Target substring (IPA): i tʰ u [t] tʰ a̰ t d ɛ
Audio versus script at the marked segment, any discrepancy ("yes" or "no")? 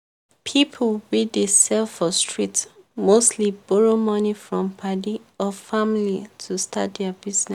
yes